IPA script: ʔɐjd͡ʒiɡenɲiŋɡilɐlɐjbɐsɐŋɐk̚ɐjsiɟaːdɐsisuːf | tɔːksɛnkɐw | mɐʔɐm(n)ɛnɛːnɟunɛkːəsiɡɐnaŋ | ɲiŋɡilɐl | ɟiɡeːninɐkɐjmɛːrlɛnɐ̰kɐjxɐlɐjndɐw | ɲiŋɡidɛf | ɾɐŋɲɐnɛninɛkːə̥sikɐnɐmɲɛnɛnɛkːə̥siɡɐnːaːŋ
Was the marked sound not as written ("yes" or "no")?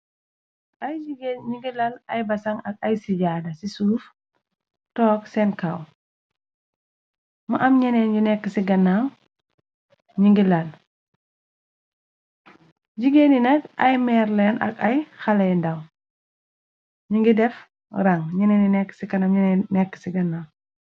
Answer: yes